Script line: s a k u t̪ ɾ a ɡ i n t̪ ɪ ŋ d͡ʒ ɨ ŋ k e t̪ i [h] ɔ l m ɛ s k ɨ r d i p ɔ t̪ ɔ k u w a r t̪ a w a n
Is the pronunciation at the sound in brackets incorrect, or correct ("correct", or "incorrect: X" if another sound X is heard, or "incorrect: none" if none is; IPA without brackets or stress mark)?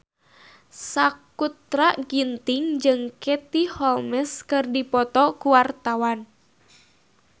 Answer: correct